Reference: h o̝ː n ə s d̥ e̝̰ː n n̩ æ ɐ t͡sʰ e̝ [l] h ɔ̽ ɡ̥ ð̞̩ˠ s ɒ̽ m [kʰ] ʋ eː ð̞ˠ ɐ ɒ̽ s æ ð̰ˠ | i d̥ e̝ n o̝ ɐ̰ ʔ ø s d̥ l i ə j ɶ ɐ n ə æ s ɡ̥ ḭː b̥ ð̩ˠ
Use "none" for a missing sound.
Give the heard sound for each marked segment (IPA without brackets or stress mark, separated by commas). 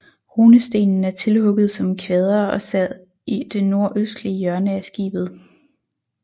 l, kʰ